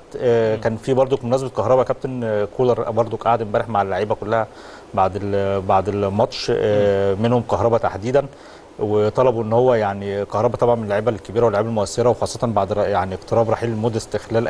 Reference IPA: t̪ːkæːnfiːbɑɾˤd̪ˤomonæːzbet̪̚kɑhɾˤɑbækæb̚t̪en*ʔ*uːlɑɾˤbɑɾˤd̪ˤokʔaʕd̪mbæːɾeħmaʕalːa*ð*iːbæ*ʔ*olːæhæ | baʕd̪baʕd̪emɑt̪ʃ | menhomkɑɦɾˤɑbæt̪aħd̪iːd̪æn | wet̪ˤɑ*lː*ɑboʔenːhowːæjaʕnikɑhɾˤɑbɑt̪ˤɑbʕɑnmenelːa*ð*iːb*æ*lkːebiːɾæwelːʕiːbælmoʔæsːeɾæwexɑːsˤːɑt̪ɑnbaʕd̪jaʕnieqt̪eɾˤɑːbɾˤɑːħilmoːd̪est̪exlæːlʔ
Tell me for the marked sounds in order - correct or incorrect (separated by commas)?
incorrect, incorrect, incorrect, incorrect, incorrect, correct